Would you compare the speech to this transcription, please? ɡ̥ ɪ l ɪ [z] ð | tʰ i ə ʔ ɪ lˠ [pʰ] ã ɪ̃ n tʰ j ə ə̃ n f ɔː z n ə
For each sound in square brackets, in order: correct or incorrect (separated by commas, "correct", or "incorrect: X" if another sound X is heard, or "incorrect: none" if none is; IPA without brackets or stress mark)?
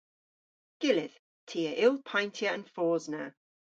incorrect: none, correct